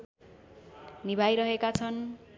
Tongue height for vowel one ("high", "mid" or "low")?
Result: high